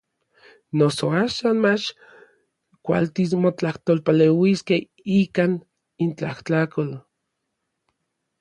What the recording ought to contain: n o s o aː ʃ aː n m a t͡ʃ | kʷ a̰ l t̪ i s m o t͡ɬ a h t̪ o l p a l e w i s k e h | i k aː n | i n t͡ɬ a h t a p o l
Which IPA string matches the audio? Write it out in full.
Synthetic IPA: n o s o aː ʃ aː n m a t͡ʃ | kʷ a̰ l t̪ i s m o t͡ɬ a h t̪ o l p a l e w i s k e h | i k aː n | i n t͡ɬ a h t a k o l